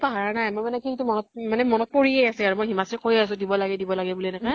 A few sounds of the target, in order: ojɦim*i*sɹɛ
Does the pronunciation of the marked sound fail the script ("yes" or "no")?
yes